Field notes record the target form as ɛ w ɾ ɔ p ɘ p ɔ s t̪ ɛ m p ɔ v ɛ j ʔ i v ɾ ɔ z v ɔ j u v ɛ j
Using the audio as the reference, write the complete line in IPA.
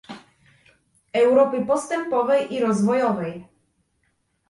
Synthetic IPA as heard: ɛ w ɾ ɔ p ɘ p ɔ s t̪ ɛ m p ɔ v ɛ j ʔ i ɾ ɔ z v ɔ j ɔ v ɛ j